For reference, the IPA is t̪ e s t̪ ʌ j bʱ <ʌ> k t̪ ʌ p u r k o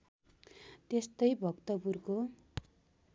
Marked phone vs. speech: correct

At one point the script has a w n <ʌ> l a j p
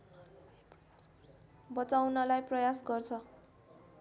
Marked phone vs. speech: correct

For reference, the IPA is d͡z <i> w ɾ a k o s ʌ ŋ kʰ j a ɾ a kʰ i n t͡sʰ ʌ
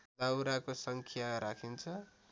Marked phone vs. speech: incorrect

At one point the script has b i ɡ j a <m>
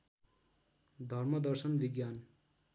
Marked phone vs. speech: incorrect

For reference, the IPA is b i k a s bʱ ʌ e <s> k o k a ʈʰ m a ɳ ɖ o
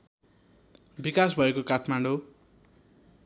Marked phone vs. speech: incorrect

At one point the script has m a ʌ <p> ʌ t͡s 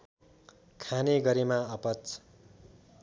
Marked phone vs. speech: correct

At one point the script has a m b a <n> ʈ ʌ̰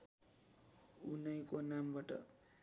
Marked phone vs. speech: incorrect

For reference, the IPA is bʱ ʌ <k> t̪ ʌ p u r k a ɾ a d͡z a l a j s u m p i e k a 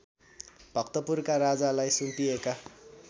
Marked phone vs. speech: correct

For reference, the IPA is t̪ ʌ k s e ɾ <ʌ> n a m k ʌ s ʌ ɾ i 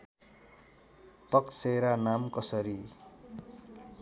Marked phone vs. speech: incorrect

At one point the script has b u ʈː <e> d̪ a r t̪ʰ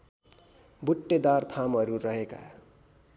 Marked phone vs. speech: correct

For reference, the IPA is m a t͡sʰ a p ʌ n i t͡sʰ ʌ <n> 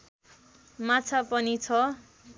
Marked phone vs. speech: incorrect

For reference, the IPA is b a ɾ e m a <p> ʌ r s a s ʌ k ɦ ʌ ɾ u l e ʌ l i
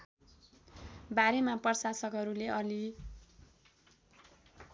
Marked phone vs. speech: correct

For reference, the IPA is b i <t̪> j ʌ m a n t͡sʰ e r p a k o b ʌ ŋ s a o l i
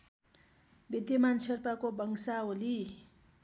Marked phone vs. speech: incorrect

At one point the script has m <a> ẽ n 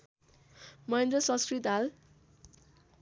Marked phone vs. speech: incorrect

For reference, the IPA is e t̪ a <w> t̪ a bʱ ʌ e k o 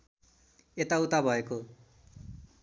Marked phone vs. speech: incorrect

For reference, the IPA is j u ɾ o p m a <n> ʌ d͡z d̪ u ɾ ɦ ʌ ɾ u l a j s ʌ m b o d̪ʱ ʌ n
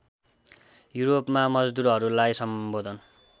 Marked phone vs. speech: incorrect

